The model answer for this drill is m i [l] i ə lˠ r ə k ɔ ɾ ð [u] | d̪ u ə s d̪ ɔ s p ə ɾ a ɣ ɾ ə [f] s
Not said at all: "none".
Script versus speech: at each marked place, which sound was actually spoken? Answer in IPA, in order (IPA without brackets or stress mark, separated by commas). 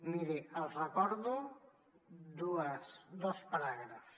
ɾ, u, f